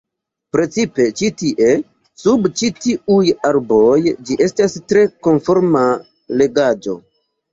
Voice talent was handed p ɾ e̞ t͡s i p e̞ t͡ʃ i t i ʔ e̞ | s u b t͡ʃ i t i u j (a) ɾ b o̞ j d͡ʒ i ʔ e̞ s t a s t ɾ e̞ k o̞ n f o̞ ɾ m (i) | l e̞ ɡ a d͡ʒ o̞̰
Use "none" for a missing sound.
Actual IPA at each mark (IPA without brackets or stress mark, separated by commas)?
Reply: a, a